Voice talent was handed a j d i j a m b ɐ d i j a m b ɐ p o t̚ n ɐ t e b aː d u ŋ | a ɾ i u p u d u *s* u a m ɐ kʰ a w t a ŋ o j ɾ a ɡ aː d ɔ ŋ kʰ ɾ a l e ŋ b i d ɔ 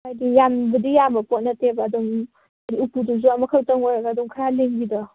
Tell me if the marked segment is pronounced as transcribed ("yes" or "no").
no